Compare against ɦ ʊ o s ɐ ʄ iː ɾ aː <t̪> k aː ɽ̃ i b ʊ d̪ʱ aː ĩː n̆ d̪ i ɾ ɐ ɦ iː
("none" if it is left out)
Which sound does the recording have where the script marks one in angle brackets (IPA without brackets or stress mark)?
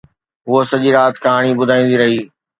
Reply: t̪